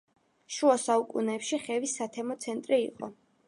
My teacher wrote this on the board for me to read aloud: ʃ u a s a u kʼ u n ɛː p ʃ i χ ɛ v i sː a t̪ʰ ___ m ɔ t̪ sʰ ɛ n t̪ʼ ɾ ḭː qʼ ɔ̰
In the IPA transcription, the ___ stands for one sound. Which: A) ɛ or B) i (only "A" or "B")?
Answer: A